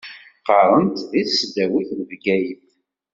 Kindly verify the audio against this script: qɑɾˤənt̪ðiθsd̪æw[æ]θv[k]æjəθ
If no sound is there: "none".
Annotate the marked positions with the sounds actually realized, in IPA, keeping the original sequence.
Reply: i, ɡ

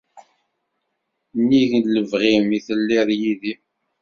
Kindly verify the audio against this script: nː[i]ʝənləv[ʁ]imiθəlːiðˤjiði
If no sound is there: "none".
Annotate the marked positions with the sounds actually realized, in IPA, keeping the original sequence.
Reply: i, ʁ

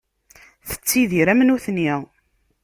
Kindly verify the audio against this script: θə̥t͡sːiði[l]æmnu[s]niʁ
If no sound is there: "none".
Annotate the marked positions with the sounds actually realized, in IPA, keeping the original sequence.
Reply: ɾ, θ

